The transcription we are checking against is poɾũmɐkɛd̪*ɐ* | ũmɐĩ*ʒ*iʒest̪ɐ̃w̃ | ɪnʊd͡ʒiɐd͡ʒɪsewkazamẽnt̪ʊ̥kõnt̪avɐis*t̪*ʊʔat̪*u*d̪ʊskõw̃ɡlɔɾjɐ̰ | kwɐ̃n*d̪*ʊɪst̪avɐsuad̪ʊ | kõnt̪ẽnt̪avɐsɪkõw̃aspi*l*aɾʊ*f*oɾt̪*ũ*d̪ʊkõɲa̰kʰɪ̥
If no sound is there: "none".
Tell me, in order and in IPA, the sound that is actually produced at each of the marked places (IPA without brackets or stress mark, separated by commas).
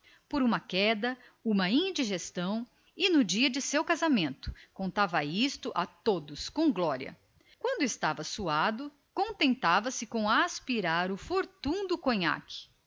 ɐ, d͡ʒ, t̪, o, d̪, ɾ, f, ũ